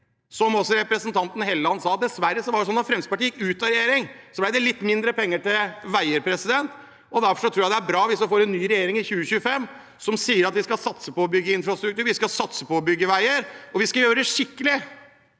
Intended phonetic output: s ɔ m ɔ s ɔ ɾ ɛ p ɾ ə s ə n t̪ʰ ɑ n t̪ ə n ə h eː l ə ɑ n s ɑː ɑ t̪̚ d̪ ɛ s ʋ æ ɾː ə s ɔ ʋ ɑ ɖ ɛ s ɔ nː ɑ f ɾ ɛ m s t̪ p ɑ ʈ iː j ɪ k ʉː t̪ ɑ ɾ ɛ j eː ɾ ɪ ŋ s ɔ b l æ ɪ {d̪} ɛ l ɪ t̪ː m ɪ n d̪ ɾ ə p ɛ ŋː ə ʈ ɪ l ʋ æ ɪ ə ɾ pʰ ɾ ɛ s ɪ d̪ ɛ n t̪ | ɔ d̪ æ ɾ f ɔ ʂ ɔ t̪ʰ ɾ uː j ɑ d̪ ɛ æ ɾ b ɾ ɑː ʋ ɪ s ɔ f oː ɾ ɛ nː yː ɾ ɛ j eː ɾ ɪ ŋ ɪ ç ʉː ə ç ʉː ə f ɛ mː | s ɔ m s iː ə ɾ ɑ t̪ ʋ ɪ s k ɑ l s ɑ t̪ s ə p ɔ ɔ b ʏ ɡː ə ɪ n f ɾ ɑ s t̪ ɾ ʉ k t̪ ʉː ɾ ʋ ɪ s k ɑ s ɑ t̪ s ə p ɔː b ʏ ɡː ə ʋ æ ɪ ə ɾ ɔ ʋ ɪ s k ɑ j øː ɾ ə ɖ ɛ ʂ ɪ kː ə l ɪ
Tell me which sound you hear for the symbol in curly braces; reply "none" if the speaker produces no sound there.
d̪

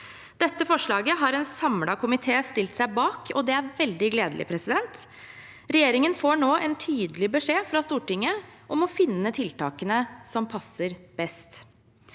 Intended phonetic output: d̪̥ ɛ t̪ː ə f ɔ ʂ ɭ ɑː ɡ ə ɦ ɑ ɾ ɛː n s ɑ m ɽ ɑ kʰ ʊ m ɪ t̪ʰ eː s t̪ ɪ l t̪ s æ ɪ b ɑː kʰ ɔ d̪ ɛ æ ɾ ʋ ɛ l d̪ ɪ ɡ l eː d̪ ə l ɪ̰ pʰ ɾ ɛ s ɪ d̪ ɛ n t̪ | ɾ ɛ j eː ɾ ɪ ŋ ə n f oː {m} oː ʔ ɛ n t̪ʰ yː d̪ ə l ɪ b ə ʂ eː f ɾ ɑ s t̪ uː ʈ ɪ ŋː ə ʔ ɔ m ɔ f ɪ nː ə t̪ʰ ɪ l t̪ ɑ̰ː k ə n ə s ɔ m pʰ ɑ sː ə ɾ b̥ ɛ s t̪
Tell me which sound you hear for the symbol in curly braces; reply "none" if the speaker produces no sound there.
ɳ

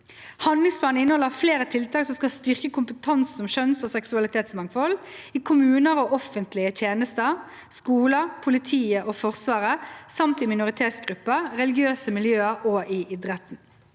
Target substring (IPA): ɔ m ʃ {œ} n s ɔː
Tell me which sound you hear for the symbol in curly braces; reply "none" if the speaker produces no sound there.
œ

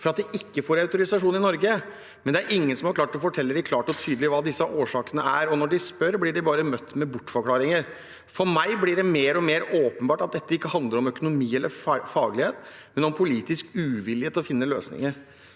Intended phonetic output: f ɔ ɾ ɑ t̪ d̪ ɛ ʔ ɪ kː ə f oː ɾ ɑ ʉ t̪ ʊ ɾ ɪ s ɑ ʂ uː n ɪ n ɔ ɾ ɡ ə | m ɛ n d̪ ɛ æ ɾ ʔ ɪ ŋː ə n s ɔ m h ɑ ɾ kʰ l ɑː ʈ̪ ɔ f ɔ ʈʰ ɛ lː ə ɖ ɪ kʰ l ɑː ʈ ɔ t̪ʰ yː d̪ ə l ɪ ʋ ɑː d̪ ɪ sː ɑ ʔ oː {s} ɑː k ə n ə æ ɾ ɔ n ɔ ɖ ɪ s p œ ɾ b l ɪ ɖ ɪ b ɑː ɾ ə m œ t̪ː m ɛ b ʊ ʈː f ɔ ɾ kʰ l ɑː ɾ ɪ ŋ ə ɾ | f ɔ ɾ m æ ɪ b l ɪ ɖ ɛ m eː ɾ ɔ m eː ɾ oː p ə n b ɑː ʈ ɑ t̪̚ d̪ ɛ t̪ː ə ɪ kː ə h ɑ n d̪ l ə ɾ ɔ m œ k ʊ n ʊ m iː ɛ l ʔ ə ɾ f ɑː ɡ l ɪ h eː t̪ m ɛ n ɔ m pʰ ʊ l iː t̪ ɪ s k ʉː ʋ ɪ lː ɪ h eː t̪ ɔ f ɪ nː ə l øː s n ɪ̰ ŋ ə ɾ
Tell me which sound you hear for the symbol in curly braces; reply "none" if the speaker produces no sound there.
ʂ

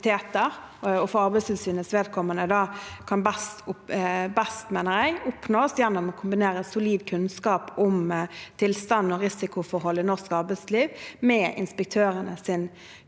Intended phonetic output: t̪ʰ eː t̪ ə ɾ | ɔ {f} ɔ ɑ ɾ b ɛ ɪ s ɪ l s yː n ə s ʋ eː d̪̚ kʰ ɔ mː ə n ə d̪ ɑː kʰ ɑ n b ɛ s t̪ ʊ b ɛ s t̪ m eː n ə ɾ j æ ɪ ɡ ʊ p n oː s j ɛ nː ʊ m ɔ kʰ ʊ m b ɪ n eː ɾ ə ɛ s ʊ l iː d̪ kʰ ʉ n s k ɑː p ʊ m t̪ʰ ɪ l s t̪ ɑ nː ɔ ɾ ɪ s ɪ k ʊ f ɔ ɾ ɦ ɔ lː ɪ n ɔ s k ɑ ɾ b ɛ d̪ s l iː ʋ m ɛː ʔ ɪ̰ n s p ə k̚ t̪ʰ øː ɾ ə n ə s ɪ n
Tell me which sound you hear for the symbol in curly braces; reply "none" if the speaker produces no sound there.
f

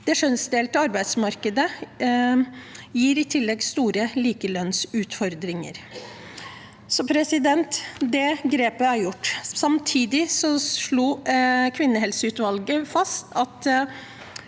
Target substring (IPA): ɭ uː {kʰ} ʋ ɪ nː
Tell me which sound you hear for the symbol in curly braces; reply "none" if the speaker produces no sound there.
kʰ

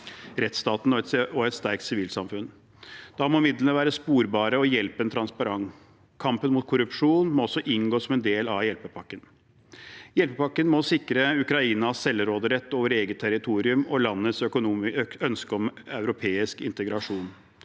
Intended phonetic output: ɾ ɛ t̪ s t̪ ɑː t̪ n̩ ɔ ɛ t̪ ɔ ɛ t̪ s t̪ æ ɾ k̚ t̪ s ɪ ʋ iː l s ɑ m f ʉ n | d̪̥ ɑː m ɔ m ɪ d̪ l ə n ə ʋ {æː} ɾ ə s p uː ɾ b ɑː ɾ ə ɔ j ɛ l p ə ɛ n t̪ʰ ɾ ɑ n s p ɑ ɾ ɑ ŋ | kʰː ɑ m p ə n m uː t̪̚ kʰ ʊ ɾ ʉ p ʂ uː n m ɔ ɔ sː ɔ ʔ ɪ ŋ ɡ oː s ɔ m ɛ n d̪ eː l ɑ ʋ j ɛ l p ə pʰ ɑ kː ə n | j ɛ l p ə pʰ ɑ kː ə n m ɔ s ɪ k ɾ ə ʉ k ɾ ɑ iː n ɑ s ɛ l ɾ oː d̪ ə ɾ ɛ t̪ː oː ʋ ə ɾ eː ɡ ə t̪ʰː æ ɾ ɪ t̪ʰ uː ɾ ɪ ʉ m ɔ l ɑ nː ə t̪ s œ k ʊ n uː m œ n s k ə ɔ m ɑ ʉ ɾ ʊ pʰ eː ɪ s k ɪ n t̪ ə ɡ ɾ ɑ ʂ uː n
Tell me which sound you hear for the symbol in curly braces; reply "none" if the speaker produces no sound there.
æː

